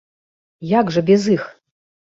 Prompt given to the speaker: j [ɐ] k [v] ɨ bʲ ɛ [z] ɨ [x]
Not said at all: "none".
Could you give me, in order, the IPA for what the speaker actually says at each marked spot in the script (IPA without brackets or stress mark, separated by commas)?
a, ʐ, z, x